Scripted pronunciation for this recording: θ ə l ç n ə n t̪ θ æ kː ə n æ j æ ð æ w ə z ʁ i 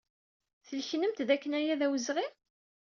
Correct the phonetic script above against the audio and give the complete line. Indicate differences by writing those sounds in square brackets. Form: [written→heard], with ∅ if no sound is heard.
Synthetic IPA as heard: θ ə l ç n ə [n→m] t̪ [θ→ð] æ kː ə n æ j æ ð æ w ə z ʁ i